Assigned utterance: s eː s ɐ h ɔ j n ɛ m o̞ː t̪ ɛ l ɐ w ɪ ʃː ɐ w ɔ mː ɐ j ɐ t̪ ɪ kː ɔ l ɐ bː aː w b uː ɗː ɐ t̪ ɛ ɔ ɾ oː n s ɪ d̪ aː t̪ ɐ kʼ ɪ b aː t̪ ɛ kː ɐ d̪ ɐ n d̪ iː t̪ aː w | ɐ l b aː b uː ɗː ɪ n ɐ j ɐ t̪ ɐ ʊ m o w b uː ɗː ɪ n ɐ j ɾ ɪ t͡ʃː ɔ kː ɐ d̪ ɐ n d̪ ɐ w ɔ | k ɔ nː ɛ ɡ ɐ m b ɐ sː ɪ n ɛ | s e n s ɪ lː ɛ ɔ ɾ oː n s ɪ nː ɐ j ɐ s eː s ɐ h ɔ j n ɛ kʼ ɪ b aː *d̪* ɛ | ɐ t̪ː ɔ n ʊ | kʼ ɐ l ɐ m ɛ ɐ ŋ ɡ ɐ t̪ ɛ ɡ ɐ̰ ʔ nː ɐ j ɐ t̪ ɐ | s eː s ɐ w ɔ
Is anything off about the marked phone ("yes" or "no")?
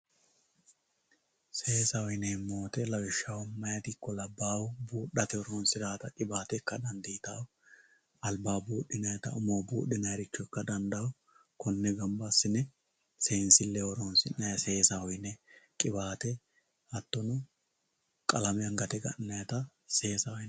yes